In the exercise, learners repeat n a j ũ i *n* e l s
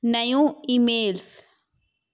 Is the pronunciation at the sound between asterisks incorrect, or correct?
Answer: incorrect: m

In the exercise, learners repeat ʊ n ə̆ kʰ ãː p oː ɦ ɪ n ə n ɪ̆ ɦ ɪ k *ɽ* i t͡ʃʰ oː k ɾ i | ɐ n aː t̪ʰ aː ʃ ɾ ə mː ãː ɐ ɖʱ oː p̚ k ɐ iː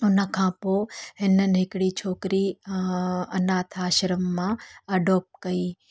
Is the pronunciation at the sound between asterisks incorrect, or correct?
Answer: correct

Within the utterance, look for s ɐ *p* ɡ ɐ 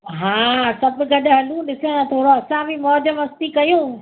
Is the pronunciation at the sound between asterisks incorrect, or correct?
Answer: incorrect: b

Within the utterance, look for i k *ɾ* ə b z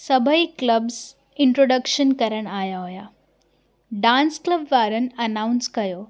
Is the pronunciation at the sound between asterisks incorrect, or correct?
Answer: incorrect: l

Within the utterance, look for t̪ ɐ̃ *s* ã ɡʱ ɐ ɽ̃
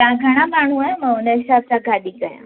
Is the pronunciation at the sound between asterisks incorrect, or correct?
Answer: incorrect: none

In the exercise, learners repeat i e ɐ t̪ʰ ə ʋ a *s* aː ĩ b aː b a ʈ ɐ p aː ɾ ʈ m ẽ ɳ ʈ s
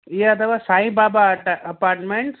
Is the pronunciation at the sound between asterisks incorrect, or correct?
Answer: correct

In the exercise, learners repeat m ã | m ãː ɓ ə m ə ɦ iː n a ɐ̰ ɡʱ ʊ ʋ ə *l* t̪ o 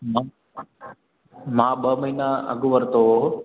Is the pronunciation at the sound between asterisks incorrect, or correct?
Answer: incorrect: ɾ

